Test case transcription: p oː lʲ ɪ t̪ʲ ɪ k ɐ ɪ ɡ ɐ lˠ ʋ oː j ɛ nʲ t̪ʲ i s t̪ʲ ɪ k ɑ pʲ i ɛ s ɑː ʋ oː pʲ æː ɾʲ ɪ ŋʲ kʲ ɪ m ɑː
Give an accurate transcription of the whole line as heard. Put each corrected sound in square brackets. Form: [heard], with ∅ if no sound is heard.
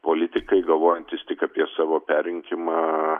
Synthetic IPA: p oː lʲ ɪ t̪ʲ ɪ k ɐ ɪ ɡ ɐ lˠ ʋ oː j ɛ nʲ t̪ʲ [ɪ] s t̪ʲ ɪ k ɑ pʲ i ɛ s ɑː ʋ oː pʲ æː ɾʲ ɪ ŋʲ kʲ ɪ m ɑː

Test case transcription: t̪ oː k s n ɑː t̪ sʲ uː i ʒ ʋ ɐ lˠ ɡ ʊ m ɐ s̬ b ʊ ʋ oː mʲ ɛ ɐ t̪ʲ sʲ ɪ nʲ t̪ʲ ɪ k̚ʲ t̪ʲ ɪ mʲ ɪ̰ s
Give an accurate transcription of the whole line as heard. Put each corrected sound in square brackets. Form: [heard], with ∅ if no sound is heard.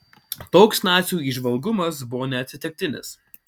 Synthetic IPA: t̪ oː k s n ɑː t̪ sʲ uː i ʒ ʋ ɐ lˠ ɡ ʊ m ɐ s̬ b ʊ ʋ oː [nʲ] ɛ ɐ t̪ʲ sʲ ɪ [∅] t̪ʲ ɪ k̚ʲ t̪ʲ ɪ [nʲ] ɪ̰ s

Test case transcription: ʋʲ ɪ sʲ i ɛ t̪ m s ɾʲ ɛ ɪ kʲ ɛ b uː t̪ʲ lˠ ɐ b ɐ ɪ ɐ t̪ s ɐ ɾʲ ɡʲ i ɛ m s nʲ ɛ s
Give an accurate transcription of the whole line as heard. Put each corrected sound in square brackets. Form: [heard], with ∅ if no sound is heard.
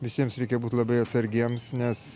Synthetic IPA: ʋʲ ɪ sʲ i ɛ [∅] m s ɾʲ ɛ ɪ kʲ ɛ b uː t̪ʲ lˠ ɐ b ɐ ɪ ɐ t̪ s ɐ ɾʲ ɡʲ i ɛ m s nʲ ɛ s

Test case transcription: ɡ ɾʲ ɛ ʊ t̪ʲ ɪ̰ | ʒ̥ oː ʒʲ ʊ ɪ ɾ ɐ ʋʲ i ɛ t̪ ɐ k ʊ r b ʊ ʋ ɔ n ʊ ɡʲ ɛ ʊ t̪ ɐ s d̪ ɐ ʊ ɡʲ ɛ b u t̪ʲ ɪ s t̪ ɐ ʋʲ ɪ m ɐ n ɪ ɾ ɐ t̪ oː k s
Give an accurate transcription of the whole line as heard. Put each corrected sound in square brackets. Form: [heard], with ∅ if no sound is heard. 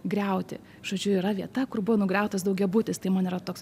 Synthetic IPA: ɡ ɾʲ ɛ ʊ t̪ʲ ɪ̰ | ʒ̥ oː [d͡ʒʲ] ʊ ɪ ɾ ɐ ʋʲ i ɛ t̪ ɐ k ʊ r b ʊ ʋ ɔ n ʊ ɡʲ ɛ ʊ t̪ ɐ s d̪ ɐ ʊ ɡʲ ɛ b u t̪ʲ ɪ s t̪ ɐ [∅] ɪ m ɐ n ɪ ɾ ɐ t̪ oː k s

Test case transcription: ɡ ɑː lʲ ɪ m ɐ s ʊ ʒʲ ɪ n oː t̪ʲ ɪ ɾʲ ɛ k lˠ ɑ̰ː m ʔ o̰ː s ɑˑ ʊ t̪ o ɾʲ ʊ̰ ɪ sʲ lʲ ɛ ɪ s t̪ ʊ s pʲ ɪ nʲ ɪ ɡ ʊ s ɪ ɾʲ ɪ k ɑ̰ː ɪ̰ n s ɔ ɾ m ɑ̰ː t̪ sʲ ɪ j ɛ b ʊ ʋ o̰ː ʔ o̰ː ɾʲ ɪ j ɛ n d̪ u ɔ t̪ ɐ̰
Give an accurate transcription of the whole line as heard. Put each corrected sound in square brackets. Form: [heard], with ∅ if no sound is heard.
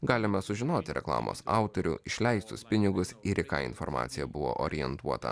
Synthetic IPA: ɡ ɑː lʲ ɪ m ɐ s ʊ ʒʲ ɪ n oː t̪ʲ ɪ ɾʲ ɛ k lˠ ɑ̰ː m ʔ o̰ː s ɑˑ ʊ t̪ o ɾʲ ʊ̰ ɪ [ʃʲ] lʲ ɛ ɪ s t̪ ʊ s pʲ ɪ nʲ ɪ ɡ ʊ s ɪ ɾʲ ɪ k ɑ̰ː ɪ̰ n [f] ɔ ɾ m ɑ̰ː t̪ sʲ ɪ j ɛ b ʊ ʋ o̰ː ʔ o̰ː ɾʲ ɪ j ɛ n [t̪] u ɔ t̪ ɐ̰

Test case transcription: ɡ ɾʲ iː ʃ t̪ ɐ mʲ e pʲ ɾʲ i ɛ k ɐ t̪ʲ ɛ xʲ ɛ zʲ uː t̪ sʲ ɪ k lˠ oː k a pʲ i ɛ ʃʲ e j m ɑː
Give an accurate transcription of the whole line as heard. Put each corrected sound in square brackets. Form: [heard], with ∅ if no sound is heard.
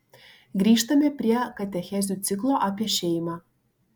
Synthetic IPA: ɡ ɾʲ iː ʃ t̪ ɐ mʲ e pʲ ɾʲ i ɛ k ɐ t̪ʲ ɛ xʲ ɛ zʲ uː t̪ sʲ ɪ k lˠ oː [ʔ] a pʲ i ɛ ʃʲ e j m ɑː

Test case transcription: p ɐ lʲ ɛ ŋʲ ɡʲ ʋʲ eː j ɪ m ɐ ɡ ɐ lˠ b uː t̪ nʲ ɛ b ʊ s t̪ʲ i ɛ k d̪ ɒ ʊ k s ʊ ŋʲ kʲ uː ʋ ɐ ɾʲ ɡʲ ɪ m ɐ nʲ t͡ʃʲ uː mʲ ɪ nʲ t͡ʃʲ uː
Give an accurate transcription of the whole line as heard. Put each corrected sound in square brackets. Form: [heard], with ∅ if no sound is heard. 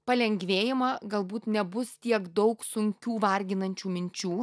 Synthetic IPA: p ɐ lʲ ɛ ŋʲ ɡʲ ʋʲ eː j ɪ m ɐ ɡ ɐ lˠ b uː t̪ nʲ ɛ b ʊ s t̪ʲ i ɛ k d̪ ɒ ʊ k s ʊ ŋʲ kʲ uː ʋ ɐ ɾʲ ɡʲ ɪ [n] ɐ nʲ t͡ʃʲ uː mʲ ɪ nʲ t͡ʃʲ uː

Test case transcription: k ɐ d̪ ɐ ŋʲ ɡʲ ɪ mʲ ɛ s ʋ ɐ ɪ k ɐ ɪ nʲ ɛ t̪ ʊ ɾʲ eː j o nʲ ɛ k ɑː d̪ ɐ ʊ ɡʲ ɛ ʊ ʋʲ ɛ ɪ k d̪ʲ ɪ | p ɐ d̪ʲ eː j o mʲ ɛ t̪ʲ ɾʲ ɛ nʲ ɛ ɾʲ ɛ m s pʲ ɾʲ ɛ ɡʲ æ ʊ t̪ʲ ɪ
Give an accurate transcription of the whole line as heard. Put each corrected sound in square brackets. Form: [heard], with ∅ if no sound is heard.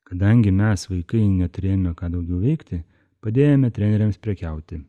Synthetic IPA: k ɐ d̪ ɐ ŋʲ ɡʲ ɪ mʲ ɛ s ʋ ɐ ɪ k ɐ ɪ nʲ ɛ t̪ ʊ ɾʲ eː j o [mʲ] ɛ k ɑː d̪ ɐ ʊ ɡʲ ɛ ʊ ʋʲ ɛ ɪ k [t̪ʲ] ɪ | p ɐ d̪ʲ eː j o mʲ ɛ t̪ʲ ɾʲ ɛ nʲ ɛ ɾʲ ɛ m s pʲ ɾʲ ɛ [kʲ] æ ʊ t̪ʲ ɪ

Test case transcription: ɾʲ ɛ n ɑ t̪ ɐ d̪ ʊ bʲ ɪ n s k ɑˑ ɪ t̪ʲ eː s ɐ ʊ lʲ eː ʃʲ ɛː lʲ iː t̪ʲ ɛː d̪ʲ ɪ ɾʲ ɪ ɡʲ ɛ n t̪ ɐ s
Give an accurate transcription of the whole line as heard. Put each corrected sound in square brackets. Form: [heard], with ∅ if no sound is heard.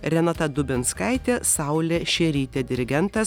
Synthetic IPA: ɾʲ ɛ n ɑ t̪ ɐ d̪ ʊ bʲ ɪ n s k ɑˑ ɪ t̪ʲ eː s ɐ ʊ lʲ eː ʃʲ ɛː [ɾʲ] iː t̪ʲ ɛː d̪ʲ ɪ ɾʲ ɪ ɡʲ ɛ n t̪ ɐ s

